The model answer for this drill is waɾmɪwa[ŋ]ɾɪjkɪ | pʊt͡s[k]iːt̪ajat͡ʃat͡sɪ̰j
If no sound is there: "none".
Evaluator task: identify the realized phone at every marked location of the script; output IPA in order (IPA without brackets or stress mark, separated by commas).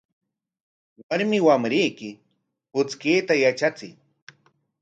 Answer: m, k